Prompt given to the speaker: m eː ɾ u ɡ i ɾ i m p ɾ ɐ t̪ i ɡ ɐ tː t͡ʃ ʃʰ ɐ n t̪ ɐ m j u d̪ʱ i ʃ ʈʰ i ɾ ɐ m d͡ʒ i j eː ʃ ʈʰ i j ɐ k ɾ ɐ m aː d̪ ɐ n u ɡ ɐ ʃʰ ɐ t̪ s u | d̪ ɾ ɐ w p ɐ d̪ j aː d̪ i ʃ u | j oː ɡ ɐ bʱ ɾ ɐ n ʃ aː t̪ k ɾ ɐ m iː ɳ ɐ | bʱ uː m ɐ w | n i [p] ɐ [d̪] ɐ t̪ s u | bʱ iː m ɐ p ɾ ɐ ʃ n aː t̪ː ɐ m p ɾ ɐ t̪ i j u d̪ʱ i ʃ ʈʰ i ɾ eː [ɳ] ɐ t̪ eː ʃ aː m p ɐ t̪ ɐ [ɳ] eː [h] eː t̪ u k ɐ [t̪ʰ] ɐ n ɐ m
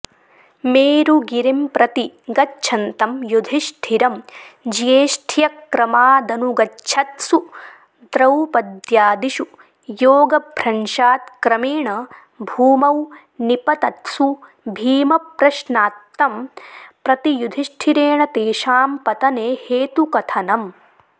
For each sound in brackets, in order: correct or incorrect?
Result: correct, incorrect: t̪, correct, incorrect: n, correct, correct

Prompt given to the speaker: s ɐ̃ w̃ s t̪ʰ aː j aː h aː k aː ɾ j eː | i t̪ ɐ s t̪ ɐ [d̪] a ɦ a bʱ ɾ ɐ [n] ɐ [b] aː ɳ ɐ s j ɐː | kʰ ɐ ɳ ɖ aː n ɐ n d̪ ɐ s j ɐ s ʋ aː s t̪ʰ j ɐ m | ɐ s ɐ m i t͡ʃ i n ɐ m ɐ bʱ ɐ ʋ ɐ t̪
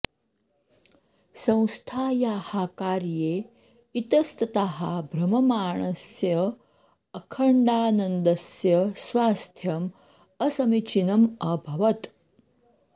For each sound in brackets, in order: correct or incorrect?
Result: incorrect: t̪, incorrect: m, incorrect: m

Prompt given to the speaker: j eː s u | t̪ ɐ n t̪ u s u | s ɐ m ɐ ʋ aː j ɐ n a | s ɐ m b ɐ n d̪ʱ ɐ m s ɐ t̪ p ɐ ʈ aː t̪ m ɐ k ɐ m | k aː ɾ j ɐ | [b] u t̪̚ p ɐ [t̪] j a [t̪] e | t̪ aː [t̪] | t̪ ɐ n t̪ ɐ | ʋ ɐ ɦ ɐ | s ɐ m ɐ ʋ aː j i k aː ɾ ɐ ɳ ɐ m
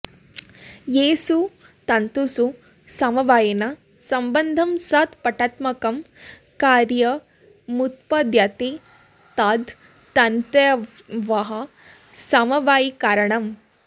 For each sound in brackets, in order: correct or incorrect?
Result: incorrect: m, incorrect: d̪, correct, incorrect: d̪

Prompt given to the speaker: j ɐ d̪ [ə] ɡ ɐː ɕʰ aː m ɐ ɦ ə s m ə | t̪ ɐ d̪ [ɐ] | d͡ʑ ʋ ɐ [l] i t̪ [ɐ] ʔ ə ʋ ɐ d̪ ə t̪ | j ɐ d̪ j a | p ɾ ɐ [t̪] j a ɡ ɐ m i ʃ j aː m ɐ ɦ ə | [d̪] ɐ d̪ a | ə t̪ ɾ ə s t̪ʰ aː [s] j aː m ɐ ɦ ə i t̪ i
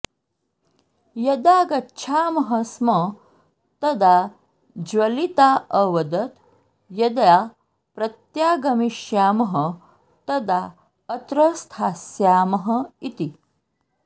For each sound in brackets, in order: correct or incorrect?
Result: incorrect: a, incorrect: a, correct, incorrect: a, correct, incorrect: t̪, correct

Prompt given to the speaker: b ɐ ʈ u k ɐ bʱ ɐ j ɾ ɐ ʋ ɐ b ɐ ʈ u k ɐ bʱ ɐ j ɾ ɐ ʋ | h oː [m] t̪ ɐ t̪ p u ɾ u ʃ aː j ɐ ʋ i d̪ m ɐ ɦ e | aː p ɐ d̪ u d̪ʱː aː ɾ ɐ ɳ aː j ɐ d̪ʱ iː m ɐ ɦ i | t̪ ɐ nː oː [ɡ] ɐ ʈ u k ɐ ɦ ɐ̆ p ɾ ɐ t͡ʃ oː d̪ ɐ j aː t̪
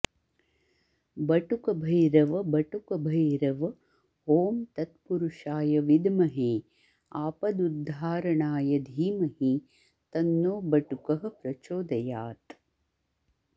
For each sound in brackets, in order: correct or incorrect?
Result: correct, incorrect: b

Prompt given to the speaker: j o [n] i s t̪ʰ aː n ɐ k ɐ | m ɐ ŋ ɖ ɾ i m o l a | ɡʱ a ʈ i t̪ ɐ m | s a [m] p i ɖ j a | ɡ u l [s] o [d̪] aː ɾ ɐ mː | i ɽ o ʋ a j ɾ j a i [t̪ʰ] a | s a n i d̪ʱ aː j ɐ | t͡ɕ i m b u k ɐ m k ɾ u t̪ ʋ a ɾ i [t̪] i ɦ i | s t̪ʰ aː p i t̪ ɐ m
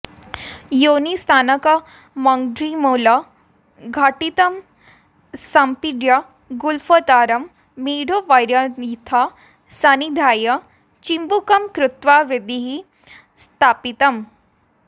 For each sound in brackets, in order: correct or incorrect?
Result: correct, correct, incorrect: f, incorrect: t̪, correct, incorrect: d̪

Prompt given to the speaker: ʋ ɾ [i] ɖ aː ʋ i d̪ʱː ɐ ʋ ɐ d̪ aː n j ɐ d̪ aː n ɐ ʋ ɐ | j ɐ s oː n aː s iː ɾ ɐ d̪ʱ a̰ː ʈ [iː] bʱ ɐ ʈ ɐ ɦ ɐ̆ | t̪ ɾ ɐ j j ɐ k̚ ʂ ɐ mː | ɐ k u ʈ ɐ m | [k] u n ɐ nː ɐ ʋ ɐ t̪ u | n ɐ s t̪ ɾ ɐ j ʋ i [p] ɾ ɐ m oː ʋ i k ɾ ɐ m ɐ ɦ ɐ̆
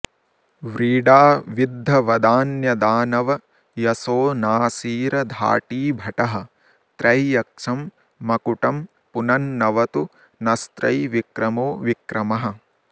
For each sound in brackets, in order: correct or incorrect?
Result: incorrect: iː, correct, incorrect: p, incorrect: k

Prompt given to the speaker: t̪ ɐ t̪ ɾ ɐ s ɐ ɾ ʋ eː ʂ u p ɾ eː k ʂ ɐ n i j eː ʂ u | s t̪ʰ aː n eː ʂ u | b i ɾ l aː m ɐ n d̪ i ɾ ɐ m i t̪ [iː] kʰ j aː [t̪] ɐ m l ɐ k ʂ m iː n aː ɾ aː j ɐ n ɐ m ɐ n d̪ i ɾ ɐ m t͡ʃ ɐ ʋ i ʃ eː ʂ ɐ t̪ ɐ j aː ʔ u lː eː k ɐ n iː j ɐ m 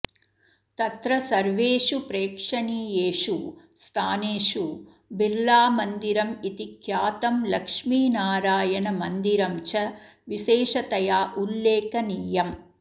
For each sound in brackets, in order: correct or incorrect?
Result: incorrect: i, correct

